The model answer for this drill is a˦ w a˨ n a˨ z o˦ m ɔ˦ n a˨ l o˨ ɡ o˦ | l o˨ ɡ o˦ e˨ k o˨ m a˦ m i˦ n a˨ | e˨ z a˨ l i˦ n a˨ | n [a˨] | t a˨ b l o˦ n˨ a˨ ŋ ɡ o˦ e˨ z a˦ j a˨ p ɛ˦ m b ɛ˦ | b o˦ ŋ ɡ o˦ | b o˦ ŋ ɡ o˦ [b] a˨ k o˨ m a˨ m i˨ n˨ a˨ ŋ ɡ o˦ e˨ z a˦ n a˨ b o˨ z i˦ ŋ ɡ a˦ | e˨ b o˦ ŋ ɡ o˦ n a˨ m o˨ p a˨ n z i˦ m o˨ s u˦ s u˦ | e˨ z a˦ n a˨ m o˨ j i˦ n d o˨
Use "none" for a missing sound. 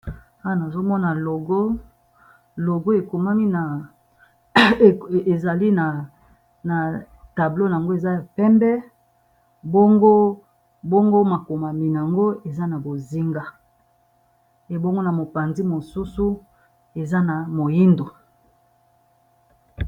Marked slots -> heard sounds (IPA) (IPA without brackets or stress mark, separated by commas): a˨, m